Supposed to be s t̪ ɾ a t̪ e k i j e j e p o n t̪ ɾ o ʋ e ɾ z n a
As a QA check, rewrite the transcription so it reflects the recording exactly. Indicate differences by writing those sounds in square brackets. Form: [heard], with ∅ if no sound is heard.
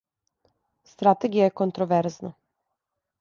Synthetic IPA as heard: s t̪ ɾ a t̪ e [ɡ] i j [a] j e [k] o n t̪ ɾ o ʋ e ɾ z n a